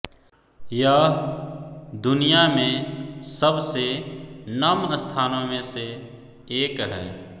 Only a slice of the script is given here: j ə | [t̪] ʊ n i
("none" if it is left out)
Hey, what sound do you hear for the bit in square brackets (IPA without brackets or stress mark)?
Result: d̪